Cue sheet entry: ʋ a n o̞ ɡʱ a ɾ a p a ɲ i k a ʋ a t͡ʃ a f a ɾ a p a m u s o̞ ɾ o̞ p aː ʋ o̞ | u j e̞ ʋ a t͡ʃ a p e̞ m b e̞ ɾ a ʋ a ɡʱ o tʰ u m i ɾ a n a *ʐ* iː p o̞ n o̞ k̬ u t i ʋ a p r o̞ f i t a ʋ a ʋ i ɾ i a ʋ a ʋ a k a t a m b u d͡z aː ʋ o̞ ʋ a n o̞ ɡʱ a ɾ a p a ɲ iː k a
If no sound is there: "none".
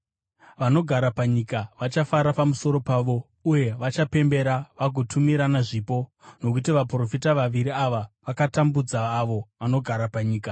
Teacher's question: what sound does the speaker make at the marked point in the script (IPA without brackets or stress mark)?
ʐ